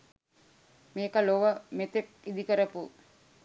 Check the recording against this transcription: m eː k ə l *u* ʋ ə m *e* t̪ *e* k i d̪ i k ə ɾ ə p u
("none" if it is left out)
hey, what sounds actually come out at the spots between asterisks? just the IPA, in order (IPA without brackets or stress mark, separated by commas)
o, e, e